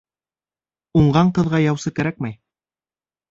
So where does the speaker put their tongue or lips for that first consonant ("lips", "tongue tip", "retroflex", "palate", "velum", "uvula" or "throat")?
uvula